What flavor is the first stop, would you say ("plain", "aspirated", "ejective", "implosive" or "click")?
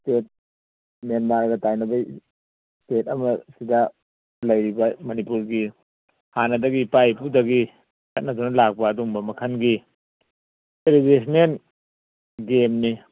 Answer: plain